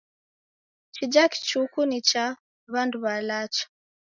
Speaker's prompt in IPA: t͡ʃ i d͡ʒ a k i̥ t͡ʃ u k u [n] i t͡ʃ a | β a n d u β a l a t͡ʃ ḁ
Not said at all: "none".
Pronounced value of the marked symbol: n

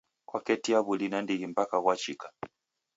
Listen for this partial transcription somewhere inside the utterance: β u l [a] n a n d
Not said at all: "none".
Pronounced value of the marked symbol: i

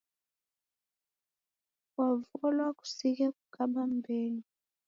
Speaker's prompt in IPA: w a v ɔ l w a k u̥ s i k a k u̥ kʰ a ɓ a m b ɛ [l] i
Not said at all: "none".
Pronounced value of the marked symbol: l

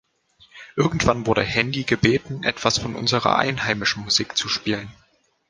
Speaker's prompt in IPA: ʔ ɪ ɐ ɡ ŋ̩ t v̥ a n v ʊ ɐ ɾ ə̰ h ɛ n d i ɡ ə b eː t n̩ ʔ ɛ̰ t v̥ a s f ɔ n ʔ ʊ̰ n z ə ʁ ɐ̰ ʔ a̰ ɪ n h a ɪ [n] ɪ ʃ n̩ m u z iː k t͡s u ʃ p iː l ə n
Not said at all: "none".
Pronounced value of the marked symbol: m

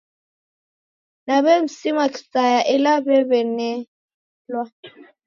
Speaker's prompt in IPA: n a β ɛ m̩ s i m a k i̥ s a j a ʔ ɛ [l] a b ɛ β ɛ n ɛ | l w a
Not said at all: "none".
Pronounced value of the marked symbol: l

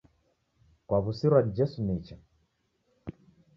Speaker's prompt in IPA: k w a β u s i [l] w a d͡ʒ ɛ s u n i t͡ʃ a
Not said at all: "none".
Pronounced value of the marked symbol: ɾ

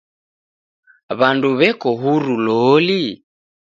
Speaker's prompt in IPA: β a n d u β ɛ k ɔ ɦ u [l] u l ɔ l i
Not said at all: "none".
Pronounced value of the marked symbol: ɾ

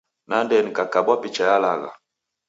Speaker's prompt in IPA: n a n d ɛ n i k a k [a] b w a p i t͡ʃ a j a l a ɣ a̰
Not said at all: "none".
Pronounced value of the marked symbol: a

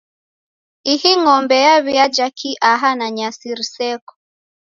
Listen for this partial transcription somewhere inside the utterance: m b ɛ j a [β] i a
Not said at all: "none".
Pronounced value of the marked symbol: β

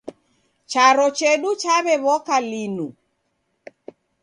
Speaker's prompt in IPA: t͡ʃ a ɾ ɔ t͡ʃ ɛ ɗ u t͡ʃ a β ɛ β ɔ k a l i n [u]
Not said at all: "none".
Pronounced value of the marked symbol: u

